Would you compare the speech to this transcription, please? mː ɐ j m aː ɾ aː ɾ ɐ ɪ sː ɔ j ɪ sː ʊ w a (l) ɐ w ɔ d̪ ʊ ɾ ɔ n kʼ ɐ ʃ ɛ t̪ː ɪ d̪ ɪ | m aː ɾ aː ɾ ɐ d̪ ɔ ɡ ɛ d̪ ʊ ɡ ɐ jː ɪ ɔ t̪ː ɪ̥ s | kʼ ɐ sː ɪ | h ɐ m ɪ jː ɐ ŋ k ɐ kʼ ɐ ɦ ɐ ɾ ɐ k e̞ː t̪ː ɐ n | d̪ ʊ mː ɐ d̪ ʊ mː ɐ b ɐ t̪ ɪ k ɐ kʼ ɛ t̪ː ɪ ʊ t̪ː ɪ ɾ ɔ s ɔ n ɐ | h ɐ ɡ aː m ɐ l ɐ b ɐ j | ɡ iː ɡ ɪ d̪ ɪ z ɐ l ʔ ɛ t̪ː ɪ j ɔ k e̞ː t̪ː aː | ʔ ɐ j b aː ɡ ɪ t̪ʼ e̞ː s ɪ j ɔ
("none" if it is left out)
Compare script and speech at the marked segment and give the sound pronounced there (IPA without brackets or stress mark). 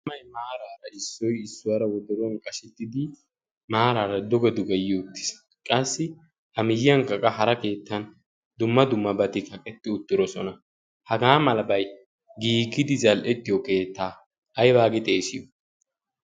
ɾ